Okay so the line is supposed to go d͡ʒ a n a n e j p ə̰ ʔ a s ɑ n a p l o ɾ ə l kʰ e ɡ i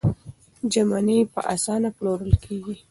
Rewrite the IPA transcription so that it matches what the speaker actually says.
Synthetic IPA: d͡ʒ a m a n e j p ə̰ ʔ a s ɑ n a p l o ɾ ə l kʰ e ɡ i